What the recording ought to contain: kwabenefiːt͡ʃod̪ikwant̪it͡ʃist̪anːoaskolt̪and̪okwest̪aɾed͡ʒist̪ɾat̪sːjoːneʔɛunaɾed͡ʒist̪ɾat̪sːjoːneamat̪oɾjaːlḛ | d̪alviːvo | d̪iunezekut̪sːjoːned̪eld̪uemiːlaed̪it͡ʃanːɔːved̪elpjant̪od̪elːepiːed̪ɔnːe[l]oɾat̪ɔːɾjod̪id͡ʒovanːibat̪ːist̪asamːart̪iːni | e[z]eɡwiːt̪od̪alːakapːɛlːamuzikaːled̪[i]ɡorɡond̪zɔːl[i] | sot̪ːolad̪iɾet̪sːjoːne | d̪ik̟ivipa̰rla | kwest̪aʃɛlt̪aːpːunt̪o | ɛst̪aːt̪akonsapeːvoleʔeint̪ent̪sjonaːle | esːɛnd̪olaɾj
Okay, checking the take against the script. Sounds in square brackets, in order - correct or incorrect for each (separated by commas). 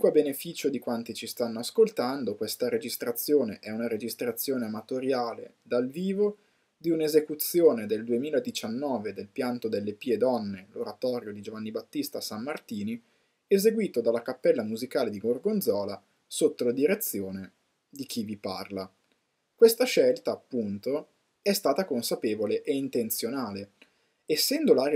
correct, correct, correct, incorrect